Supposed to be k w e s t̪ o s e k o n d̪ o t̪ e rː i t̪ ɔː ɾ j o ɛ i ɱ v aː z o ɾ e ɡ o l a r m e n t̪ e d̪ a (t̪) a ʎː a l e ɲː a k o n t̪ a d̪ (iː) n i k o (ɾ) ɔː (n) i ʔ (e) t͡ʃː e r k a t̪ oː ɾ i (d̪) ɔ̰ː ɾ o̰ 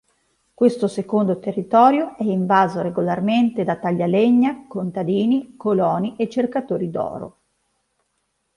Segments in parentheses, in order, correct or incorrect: correct, correct, incorrect: l, correct, correct, correct

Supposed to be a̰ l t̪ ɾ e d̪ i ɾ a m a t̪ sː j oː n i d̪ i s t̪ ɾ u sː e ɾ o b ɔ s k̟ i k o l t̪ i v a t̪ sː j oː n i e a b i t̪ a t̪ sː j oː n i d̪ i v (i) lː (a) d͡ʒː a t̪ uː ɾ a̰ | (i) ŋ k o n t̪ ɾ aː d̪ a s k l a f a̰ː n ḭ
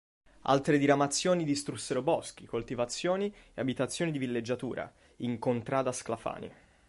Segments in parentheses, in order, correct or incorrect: correct, incorrect: e, correct

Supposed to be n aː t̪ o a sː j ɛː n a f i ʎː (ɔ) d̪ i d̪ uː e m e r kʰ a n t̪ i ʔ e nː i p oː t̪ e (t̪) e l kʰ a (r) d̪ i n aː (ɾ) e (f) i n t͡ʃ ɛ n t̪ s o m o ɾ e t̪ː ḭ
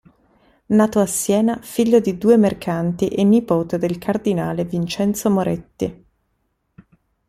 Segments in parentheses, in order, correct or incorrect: incorrect: o, incorrect: d̪, correct, incorrect: l, incorrect: v

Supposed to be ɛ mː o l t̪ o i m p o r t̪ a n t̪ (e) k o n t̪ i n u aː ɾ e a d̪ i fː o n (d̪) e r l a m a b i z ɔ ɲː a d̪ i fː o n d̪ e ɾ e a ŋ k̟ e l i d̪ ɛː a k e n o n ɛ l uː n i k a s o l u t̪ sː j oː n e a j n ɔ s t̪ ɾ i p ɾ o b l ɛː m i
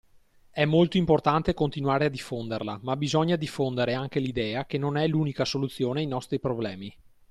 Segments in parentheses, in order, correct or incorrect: correct, correct

